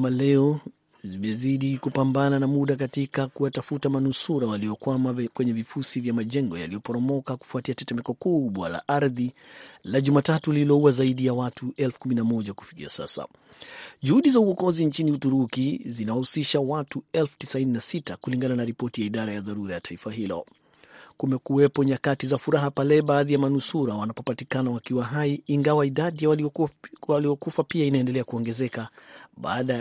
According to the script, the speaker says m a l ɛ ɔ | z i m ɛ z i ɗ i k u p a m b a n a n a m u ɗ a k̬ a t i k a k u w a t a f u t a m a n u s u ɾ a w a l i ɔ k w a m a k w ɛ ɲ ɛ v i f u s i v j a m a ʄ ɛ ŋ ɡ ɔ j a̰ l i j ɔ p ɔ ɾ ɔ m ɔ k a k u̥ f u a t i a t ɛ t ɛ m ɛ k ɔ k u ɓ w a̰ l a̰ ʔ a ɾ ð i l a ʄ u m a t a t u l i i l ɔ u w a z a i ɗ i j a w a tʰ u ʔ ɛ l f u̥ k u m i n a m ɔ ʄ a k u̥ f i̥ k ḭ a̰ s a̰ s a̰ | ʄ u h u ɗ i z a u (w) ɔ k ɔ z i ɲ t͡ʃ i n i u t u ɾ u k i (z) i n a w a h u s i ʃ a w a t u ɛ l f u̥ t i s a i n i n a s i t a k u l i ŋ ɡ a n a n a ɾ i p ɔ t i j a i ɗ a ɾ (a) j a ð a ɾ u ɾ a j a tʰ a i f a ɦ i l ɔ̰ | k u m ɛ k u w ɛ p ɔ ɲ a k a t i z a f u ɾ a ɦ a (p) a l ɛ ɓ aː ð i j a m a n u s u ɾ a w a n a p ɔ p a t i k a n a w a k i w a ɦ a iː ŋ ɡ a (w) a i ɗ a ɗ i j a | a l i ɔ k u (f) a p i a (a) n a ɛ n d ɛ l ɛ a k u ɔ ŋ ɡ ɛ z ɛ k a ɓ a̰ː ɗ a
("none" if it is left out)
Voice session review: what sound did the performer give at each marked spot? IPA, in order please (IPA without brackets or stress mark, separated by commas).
w, z, a, p, w, f, i